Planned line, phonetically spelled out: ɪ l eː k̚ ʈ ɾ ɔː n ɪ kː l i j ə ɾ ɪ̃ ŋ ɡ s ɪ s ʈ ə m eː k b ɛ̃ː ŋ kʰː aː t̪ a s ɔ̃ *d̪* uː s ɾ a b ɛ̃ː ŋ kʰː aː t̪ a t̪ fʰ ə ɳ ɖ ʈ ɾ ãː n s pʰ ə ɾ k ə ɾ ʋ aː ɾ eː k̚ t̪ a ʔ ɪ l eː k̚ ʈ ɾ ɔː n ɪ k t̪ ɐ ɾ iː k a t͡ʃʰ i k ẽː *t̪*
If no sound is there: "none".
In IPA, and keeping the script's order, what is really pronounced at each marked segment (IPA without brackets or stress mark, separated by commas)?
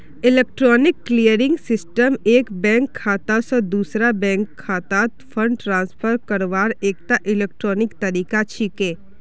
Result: d̪, none